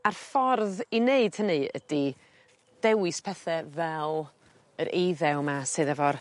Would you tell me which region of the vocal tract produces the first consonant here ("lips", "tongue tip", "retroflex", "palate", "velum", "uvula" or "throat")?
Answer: tongue tip